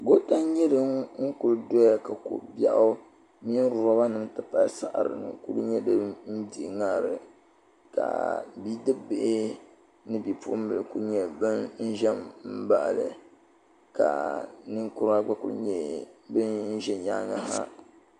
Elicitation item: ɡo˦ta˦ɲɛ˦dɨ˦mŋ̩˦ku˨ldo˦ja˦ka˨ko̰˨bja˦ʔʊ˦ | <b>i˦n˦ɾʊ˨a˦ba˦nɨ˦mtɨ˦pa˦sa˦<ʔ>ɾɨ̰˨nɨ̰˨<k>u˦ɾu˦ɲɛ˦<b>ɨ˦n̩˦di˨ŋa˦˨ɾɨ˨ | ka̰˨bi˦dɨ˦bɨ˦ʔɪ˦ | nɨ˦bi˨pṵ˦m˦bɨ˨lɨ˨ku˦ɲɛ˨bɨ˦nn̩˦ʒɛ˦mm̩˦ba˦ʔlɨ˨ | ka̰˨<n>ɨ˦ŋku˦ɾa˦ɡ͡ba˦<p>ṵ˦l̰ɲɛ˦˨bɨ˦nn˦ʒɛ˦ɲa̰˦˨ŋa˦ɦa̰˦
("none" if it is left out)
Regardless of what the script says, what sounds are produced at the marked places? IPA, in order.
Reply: m, ʔ, k, d, n, k

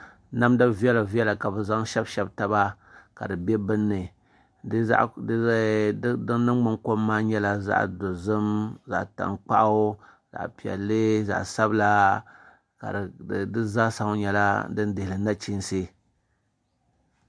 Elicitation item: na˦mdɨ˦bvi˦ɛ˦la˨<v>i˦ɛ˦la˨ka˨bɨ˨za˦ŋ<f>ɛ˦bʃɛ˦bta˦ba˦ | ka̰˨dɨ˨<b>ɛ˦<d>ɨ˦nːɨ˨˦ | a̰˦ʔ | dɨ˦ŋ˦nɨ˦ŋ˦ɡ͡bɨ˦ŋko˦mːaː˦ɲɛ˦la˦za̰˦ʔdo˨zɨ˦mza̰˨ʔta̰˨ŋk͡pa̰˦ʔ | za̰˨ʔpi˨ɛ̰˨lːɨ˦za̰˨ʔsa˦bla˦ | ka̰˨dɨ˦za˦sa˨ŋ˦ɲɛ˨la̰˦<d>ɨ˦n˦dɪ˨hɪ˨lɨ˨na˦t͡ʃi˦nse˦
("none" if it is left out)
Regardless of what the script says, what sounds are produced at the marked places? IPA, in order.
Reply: v, ʃ, b, b, d

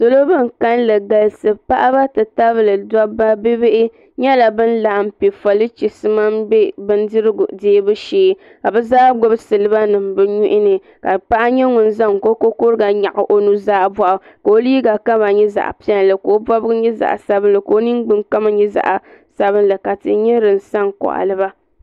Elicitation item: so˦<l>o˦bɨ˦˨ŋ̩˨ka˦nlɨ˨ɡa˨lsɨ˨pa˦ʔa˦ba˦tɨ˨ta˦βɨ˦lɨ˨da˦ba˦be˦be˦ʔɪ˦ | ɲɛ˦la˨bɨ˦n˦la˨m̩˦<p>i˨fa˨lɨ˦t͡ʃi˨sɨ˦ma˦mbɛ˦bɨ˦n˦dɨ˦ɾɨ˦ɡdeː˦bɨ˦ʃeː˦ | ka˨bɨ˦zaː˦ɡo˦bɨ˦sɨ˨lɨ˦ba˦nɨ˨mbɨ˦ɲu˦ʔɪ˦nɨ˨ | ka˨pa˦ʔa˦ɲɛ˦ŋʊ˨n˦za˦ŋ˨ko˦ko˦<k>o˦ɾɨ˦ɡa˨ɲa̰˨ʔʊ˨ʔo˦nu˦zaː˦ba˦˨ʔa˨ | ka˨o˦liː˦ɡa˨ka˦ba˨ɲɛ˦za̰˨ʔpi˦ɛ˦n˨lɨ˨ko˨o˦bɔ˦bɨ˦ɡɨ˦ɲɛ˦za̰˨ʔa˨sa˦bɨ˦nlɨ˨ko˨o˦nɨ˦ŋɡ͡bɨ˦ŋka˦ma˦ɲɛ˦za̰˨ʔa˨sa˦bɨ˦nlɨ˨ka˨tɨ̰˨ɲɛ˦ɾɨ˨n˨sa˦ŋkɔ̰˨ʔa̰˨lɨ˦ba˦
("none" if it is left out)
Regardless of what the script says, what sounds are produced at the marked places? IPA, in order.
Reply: l, p, k

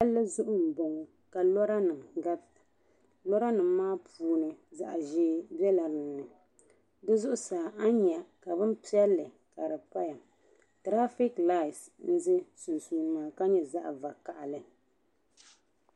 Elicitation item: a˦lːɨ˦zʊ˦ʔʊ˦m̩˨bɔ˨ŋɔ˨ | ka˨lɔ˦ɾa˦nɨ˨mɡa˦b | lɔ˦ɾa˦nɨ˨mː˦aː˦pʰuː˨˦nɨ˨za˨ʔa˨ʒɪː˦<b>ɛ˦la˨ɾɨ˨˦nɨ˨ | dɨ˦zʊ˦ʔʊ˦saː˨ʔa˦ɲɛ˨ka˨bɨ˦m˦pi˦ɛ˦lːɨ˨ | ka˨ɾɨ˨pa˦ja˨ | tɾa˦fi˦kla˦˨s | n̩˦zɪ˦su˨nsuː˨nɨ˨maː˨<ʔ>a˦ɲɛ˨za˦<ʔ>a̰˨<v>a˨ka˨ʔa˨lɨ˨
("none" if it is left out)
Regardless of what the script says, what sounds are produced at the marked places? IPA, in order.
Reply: b, k, ʔ, v

